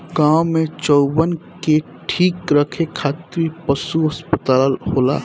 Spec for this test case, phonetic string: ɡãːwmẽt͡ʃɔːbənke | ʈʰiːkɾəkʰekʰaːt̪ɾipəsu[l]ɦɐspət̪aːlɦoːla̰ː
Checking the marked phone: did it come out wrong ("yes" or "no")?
yes